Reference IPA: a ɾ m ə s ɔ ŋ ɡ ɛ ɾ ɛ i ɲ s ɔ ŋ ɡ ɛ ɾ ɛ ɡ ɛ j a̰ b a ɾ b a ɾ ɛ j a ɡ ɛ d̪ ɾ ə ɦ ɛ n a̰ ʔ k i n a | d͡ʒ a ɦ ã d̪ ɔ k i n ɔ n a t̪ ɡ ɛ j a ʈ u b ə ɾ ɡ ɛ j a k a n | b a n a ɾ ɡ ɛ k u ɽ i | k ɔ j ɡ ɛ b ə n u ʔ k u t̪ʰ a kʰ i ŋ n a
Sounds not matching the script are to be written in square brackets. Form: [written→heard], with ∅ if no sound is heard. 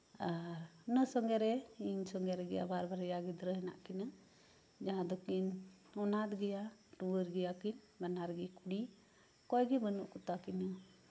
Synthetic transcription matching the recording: a ɾ [m→n] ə s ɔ ŋ ɡ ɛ ɾ ɛ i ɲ s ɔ ŋ ɡ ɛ ɾ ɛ ɡ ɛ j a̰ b a ɾ b a ɾ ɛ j a ɡ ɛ d̪ ɾ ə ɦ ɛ n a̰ ʔ k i n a | d͡ʒ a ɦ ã d̪ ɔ k i n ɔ n a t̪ ɡ ɛ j a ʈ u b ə ɾ ɡ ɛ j a k [a→i] n | b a n a ɾ ɡ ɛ k u ɽ i | k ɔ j ɡ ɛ b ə n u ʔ k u [t̪ʰ→t̪] a [kʰ→k] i [ŋ→∅] n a